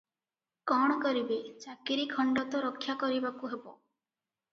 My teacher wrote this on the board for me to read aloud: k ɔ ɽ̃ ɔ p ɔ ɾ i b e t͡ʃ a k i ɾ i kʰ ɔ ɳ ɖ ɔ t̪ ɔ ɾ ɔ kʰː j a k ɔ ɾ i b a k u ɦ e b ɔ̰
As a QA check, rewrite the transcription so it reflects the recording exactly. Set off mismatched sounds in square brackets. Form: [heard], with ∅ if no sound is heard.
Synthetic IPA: k ɔ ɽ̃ ɔ [k] ɔ ɾ i b e t͡ʃ a k i ɾ i kʰ ɔ ɳ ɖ ɔ t̪ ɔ ɾ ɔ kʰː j a k ɔ ɾ i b a k u ɦ e b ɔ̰

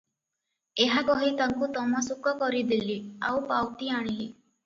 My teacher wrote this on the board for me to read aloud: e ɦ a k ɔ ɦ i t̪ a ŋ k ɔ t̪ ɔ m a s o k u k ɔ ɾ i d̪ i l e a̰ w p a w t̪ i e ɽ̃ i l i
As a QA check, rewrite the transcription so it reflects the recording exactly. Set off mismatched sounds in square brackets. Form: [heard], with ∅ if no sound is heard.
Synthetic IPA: e ɦ a k ɔ ɦ i t̪ a ŋ k [u] t̪ ɔ m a s [u] k [ɔ] k ɔ ɾ i d̪ i l [i] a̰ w p a w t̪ i [a] ɽ̃ i l i

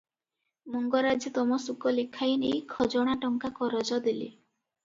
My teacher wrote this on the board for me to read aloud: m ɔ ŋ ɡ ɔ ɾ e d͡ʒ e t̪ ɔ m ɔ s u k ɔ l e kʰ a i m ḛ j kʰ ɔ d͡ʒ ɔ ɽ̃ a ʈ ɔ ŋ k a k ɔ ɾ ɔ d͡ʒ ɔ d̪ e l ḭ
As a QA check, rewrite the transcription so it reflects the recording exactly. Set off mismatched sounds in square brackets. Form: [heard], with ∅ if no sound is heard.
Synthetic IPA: m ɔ ŋ ɡ ɔ ɾ [a] d͡ʒ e t̪ ɔ m ɔ s u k ɔ l e kʰ a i [n] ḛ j kʰ ɔ d͡ʒ ɔ ɽ̃ a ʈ ɔ ŋ k a k ɔ ɾ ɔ d͡ʒ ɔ d̪ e l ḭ

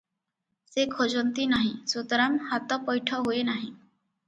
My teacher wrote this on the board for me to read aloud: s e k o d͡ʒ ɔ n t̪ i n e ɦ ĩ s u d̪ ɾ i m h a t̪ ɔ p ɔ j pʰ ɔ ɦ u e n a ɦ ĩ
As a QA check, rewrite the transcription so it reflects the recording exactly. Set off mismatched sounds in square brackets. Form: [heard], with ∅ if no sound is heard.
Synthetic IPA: s e [kʰ] o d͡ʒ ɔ n t̪ i n [a] ɦ ĩ s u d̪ ɾ [a] m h a t̪ ɔ p ɔ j [ʈʰ] ɔ ɦ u e n a ɦ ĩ

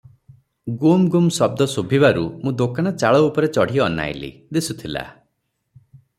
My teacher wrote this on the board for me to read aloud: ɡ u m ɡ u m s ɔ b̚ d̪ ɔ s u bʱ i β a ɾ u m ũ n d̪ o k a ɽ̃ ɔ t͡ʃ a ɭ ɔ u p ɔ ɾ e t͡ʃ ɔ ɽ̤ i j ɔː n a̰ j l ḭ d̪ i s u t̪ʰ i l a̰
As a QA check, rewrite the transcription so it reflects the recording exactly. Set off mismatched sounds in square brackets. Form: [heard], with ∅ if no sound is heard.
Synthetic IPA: ɡ u m ɡ u m s ɔ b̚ d̪ ɔ s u bʱ i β a ɾ u m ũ [∅] d̪ o k a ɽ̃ ɔ t͡ʃ a ɭ ɔ u p ɔ ɾ e t͡ʃ ɔ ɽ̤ i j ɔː n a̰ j l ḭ d̪ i s u t̪ʰ i l a̰

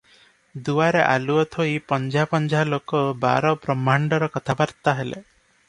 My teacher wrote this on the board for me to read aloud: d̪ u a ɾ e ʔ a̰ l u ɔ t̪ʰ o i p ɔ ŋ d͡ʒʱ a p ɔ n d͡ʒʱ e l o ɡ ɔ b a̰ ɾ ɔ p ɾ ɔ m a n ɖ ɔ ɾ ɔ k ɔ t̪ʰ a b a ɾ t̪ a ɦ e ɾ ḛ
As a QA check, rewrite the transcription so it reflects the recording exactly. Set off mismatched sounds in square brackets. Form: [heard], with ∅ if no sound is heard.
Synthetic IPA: d̪ u a ɾ e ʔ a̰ l u ɔ t̪ʰ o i p ɔ [n] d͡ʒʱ a p ɔ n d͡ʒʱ [a] l o [k] ɔ b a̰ ɾ ɔ p ɾ ɔ m a [ɳ] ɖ ɔ ɾ ɔ k ɔ t̪ʰ a b a ɾ t̪ a ɦ e [l] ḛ

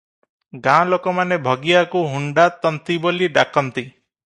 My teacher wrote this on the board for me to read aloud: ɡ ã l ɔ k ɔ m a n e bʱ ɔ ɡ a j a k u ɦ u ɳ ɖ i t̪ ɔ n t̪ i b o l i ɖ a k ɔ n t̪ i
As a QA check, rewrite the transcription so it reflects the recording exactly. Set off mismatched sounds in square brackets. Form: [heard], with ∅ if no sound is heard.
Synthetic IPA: ɡ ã l [o] k ɔ m a n e bʱ ɔ ɡ [i] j a k u ɦ u ɳ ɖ [a] t̪ ɔ n t̪ i b o l i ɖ a k ɔ n t̪ i

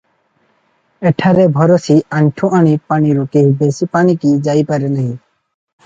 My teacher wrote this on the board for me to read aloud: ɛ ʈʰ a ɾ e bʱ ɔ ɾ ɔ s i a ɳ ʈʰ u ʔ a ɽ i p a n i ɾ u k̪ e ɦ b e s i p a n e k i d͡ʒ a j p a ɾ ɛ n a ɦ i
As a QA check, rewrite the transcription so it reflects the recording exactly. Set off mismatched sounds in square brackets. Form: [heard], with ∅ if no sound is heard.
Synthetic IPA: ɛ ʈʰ a ɾ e bʱ ɔ ɾ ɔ s i a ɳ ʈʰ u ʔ a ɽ i p a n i ɾ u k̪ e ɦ b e s i p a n [i] k i d͡ʒ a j p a ɾ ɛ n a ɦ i

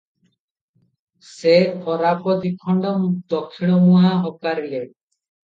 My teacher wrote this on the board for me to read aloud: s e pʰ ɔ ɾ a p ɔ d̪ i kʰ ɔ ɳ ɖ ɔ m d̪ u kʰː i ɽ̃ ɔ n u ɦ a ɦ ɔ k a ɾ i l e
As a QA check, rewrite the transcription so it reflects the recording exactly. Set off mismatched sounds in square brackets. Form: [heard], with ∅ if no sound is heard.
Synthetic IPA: s e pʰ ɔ ɾ a p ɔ d̪ i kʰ ɔ ɳ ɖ ɔ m d̪ [ɔ] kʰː i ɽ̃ ɔ [m] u ɦ a ɦ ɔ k a ɾ i l e

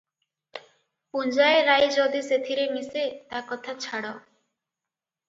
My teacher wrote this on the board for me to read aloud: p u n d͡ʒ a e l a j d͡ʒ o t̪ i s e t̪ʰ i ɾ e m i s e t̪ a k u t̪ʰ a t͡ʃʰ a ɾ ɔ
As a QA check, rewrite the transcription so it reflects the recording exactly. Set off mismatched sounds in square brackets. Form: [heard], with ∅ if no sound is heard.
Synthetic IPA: p u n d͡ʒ a e [ɾ] a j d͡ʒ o [d̪] i s e t̪ʰ i ɾ e m i s e t̪ a k [ɔ] t̪ʰ a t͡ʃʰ a [ɽ] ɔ

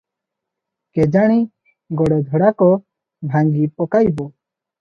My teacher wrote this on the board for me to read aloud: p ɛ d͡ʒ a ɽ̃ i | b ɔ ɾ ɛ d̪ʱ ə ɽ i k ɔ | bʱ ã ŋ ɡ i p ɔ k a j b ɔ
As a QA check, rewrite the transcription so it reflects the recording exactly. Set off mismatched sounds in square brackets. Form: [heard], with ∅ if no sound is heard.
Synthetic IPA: [k] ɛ d͡ʒ a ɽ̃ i | [ɡ] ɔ [ɽ] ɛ d̪ʱ ə ɽ [a] k ɔ | bʱ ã ŋ ɡ i p ɔ k a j b ɔ

